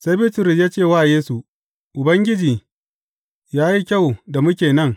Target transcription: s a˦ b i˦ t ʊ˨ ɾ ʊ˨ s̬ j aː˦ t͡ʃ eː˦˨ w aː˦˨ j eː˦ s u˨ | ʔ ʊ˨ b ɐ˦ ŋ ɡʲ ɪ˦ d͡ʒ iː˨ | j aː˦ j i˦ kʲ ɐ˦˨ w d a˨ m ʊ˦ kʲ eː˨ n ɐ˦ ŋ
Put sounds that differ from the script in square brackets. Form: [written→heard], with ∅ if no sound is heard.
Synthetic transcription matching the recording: s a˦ b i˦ t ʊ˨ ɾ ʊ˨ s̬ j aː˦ t͡ʃ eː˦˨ w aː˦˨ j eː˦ s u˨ | ʔ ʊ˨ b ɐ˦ ŋ ɡʲ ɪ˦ d͡ʒ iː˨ | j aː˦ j i˦ kʲ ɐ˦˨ w d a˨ m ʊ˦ kʲ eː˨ n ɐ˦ ŋ